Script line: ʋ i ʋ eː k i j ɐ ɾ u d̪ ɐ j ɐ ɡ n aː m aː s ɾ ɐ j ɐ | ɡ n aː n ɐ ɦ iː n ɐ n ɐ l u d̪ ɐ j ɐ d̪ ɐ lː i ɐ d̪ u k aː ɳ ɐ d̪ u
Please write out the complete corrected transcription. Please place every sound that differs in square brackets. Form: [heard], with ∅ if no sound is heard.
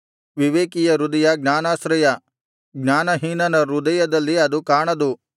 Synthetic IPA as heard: ʋ i ʋ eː k i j ɐ ɾ u d̪ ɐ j ɐ ɡ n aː [n] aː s ɾ ɐ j ɐ | ɡ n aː n ɐ ɦ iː n ɐ n ɐ [ɾ] u d̪ ɐ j ɐ d̪ ɐ lː i ɐ d̪ u k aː ɳ ɐ d̪ u